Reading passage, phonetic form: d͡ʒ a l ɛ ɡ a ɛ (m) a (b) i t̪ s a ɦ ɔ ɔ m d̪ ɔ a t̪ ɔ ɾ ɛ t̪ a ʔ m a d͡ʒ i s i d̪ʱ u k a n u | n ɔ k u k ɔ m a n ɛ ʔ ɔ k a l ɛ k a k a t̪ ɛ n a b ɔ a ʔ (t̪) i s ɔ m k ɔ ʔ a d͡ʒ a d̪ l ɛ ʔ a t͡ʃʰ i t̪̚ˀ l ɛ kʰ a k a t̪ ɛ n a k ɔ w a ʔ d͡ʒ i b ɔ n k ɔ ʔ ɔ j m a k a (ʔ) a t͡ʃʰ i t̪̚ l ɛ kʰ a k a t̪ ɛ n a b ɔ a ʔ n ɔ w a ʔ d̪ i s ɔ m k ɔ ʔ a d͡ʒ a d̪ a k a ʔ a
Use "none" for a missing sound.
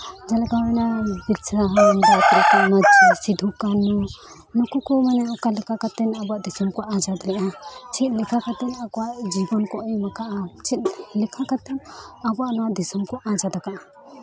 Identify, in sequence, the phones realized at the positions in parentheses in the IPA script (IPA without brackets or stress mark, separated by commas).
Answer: n, b, d̪, ʔ